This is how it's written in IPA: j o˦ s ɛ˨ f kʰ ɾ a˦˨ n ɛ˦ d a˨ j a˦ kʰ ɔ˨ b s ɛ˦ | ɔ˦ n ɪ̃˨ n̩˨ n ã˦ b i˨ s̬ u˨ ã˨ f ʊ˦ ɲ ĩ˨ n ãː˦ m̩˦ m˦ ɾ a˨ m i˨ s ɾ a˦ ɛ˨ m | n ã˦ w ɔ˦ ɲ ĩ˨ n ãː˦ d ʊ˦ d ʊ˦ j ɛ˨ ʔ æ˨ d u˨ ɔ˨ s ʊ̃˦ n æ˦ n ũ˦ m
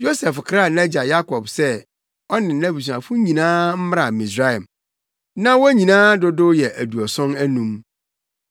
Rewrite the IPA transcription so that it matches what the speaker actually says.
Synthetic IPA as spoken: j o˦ s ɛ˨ f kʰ ɾ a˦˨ n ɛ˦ d͡ʑ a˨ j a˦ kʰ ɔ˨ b s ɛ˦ | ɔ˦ n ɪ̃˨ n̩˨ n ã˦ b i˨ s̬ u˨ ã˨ f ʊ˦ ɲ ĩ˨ n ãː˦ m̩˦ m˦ ɾ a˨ m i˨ s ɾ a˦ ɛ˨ m | n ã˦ w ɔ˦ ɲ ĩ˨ n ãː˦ d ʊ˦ d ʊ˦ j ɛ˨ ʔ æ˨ d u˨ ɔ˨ s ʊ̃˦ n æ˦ n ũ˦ m